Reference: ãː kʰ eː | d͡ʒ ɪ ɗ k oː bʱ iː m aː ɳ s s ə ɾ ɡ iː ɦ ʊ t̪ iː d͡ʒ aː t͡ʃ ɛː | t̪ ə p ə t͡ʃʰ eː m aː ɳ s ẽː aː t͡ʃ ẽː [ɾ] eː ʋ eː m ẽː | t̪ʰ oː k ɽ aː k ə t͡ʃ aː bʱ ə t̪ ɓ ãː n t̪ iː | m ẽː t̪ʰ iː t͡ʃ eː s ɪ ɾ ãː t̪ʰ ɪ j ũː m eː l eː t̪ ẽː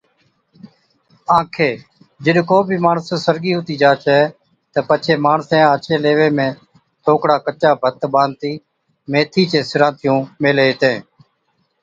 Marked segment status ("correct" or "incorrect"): incorrect